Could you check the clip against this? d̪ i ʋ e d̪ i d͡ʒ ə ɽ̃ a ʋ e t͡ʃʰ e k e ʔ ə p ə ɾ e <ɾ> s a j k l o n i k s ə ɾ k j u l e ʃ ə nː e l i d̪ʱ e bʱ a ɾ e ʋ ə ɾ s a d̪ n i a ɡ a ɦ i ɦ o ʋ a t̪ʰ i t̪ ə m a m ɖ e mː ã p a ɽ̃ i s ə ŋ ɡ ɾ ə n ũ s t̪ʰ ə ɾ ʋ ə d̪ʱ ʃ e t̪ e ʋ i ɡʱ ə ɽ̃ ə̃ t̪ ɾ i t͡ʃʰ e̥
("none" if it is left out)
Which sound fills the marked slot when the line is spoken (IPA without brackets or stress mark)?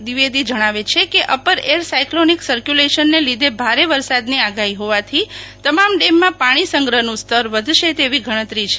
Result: ɾ